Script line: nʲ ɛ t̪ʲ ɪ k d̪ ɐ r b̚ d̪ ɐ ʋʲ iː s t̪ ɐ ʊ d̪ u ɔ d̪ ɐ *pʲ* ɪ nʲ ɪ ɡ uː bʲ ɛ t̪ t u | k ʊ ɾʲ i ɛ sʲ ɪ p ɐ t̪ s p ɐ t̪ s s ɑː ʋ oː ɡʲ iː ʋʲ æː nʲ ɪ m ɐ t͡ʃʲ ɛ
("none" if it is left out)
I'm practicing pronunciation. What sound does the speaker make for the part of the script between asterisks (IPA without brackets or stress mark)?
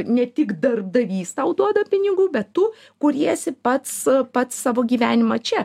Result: pʲ